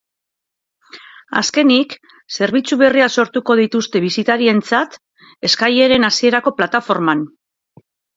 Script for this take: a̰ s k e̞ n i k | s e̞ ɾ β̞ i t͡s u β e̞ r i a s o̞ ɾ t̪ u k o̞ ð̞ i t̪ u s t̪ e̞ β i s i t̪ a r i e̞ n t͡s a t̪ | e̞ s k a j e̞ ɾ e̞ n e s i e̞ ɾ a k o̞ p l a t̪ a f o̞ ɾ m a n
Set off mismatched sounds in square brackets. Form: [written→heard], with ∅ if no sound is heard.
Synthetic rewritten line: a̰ s k e̞ n i k | s e̞ ɾ β̞ i t͡s u β e̞ r i a s o̞ ɾ t̪ u k o̞ ð̞ i t̪ u s t̪ e̞ β i s i t̪ a [r→ɾ] i e̞ n t͡s a t̪ | e̞ s k a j e̞ ɾ e̞ n [e→a] s i e̞ ɾ a k o̞ p l a t̪ a f o̞ ɾ m a n